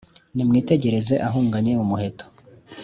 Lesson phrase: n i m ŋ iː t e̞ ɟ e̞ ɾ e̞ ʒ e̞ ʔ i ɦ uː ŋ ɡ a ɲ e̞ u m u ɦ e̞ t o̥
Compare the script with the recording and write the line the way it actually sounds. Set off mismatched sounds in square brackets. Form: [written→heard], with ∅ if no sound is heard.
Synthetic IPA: n i m ŋ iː t e̞ ɟ e̞ ɾ e̞ [ʒ→z] e̞ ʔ [i→a] ɦ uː ŋ ɡ a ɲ e̞ u m u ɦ e̞ t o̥